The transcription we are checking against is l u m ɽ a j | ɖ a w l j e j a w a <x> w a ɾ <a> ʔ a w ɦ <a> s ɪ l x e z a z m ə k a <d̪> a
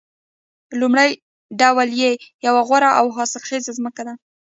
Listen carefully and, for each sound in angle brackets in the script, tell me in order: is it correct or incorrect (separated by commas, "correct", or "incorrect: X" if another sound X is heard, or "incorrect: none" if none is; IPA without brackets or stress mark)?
incorrect: ɣ, correct, incorrect: ɑ, correct